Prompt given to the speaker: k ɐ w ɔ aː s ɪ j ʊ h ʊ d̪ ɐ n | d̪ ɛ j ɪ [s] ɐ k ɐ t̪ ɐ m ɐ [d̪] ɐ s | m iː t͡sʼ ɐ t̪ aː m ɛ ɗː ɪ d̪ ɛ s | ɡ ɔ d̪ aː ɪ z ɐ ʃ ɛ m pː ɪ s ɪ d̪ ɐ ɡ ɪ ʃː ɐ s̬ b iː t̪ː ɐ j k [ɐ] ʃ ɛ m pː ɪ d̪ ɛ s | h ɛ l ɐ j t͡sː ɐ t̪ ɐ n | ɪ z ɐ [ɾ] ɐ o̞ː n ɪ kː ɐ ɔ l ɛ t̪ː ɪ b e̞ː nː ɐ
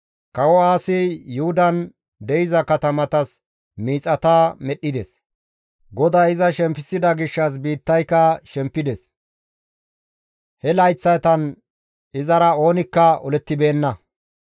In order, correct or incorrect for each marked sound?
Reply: incorrect, incorrect, correct, correct

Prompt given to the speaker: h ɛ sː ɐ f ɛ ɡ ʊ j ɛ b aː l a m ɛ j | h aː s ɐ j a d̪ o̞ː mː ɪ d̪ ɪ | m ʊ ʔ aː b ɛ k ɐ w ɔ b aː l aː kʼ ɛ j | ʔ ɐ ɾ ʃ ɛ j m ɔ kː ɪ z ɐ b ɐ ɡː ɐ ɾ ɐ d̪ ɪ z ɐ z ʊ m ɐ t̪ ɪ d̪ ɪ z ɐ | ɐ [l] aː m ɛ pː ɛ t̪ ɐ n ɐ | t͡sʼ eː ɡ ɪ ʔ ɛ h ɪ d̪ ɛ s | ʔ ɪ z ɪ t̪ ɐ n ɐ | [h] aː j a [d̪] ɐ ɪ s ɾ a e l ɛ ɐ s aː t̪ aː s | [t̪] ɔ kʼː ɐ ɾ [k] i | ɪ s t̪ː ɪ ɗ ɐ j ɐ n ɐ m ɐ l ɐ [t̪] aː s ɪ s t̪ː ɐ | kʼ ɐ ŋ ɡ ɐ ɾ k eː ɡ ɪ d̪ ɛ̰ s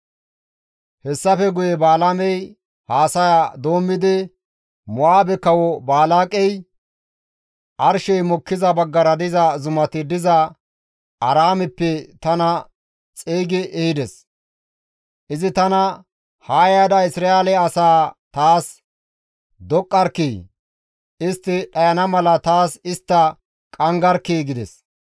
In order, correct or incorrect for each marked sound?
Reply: incorrect, correct, correct, incorrect, correct, correct

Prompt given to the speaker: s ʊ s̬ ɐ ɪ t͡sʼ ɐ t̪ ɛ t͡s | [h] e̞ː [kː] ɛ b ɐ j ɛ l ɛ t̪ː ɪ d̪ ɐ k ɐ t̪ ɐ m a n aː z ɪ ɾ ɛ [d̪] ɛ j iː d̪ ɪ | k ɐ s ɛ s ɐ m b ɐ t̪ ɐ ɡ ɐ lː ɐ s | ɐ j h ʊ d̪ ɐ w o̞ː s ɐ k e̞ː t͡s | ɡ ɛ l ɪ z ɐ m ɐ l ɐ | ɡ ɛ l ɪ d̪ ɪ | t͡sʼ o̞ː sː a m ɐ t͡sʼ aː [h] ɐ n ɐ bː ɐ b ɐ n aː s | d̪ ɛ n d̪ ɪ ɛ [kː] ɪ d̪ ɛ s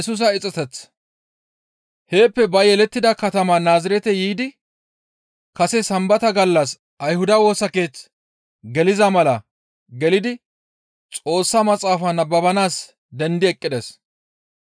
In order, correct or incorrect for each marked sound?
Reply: correct, incorrect, incorrect, incorrect, incorrect

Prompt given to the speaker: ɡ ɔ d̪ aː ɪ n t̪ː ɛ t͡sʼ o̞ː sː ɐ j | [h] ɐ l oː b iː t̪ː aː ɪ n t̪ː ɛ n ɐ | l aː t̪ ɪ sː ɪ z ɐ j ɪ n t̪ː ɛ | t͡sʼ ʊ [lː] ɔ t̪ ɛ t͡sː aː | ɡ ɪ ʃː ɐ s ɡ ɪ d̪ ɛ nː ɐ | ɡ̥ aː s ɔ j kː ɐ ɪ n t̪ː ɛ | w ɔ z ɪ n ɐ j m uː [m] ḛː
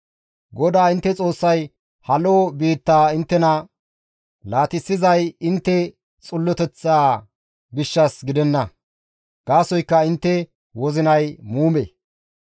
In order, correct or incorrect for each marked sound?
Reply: correct, correct, correct

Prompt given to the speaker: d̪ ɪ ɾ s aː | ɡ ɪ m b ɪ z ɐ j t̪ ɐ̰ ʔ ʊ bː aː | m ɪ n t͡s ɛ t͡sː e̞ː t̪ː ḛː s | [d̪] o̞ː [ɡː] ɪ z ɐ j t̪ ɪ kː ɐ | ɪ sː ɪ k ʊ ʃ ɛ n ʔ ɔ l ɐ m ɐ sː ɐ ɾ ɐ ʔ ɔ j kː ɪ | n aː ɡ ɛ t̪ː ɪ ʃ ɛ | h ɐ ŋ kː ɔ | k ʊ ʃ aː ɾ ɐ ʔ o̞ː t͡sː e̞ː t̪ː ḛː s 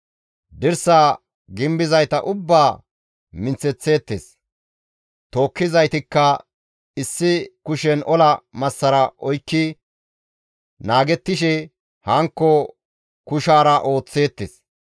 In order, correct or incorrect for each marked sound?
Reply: incorrect, incorrect

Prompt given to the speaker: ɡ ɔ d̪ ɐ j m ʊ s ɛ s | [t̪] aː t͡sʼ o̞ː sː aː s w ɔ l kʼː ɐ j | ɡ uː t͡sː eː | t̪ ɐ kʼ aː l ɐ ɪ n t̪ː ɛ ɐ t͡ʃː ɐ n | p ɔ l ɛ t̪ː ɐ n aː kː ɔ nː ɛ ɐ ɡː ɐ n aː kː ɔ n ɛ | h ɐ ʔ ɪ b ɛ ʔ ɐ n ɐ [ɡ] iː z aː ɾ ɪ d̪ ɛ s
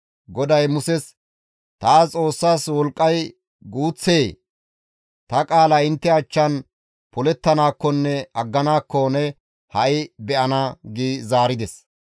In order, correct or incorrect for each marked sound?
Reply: correct, correct

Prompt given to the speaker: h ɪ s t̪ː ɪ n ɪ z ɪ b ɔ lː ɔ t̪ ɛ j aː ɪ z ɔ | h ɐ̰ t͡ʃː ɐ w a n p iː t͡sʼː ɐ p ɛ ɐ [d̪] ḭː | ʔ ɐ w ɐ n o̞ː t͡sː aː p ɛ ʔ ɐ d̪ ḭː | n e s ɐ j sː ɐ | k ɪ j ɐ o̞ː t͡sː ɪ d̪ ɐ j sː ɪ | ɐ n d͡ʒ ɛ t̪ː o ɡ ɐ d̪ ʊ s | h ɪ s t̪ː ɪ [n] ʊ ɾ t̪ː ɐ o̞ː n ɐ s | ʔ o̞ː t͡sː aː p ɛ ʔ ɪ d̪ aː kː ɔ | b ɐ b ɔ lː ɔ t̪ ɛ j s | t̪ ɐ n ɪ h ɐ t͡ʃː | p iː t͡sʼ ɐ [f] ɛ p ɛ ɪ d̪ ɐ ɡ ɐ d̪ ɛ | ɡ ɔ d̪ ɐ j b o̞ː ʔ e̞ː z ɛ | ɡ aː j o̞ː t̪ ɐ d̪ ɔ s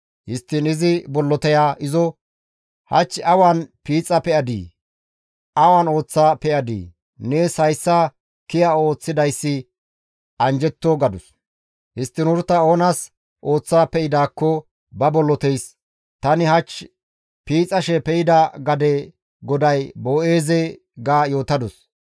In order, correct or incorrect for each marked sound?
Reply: correct, correct, incorrect

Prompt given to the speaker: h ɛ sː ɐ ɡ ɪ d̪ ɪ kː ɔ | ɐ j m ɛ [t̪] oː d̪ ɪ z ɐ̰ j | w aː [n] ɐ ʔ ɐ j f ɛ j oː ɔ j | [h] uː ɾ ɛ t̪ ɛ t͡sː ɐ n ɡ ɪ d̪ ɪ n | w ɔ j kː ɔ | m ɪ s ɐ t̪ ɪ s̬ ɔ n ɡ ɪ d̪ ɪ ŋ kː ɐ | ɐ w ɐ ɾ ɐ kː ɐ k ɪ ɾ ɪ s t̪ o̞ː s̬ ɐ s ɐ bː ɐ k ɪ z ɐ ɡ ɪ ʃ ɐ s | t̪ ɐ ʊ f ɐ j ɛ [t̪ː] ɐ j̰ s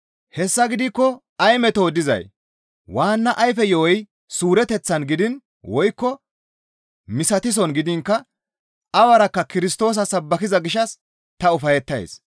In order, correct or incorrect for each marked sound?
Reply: correct, incorrect, incorrect, correct

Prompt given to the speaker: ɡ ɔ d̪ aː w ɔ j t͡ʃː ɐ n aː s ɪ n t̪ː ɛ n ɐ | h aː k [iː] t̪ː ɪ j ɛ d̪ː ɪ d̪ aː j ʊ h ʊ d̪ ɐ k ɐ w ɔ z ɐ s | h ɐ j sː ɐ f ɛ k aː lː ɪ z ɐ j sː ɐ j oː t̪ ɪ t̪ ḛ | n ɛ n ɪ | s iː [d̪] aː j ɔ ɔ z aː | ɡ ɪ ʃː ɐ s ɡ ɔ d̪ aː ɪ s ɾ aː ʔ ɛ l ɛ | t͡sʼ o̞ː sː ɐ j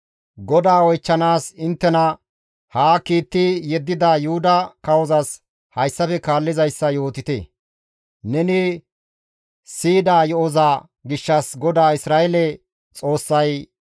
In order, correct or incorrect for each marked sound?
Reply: correct, correct

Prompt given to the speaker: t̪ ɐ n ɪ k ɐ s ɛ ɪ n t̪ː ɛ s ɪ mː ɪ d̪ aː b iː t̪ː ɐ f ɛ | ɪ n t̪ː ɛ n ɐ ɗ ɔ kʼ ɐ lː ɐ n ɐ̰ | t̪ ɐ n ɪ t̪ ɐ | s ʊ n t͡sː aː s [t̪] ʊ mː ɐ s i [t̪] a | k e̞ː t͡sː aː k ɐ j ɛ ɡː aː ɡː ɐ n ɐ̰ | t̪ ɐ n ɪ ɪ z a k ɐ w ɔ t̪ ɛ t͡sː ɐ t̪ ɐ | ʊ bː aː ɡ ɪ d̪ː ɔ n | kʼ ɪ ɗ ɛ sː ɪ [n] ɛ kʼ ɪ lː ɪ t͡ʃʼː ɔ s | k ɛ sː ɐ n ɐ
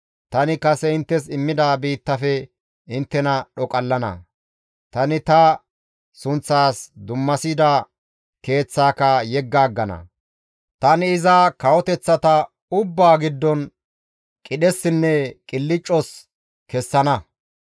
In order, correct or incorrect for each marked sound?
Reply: incorrect, incorrect, incorrect

